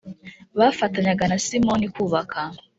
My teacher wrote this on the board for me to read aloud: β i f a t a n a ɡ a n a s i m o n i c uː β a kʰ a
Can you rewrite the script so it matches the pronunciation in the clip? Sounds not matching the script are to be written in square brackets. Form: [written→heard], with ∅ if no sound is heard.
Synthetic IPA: β [i→a] f a t a [n→ɲ] a ɡ a n a s i m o n i [c→k] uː β a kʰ a

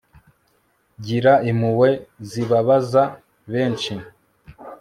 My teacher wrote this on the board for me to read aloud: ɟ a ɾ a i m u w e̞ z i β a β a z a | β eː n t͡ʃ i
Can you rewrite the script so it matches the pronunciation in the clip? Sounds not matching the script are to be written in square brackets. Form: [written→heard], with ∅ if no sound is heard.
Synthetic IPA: ɟ [a→i] ɾ a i m u w e̞ z i β a β a z a | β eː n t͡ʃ i

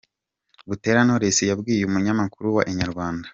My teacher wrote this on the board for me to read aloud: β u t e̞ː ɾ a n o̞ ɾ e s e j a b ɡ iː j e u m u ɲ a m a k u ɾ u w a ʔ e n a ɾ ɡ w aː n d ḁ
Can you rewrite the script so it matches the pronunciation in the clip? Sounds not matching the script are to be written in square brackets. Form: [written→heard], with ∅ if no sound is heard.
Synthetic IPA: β u t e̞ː ɾ a n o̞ ɾ e s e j a b ɡ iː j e u m u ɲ a m a k u ɾ u w a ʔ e [n→ɲ] a ɾ ɡ w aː n d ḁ

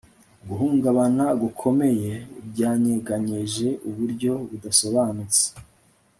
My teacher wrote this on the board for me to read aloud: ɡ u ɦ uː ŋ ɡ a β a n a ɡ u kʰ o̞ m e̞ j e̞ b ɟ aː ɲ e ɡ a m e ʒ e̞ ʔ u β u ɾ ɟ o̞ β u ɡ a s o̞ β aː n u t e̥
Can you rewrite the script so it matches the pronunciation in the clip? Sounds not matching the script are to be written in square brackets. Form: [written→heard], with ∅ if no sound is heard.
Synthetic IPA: ɡ u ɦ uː ŋ ɡ a β a n a ɡ u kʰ o̞ m e̞ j e̞ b ɟ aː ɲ e ɡ a [m→ɲ] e ʒ e̞ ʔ u β u ɾ ɟ o̞ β u [ɡ→d] a s o̞ β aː n u [t→t͡s] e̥

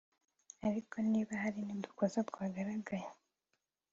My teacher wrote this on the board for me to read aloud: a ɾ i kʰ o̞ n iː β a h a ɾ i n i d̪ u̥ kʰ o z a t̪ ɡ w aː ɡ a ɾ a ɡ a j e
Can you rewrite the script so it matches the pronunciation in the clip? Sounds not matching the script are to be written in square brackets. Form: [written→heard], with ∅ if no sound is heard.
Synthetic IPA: a ɾ i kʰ o̞ n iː β a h a ɾ i n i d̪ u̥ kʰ o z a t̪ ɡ w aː ɡ a ɾ a ɡ a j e

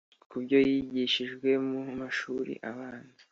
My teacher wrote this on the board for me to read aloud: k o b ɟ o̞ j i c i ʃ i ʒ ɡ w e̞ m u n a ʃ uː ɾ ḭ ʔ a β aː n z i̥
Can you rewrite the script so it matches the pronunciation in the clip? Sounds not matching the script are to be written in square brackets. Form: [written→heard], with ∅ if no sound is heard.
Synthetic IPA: k [o→u] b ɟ o̞ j i [c→ɟ] i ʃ i ʒ ɡ w e̞ m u [n→m] a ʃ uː ɾ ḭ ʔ a β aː n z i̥

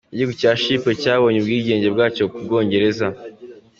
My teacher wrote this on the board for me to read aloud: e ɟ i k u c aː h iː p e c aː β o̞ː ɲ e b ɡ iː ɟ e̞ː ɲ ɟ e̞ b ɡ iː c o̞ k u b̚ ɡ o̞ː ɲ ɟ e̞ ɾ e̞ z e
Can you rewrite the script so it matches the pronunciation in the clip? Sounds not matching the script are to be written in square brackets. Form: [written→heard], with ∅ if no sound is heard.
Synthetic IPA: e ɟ i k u c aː [h→ʃ] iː p e c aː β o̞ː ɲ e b ɡ iː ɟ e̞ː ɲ ɟ e̞ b ɡ [iː→aː] c o̞ k u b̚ ɡ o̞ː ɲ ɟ e̞ ɾ e̞ z [e→a]

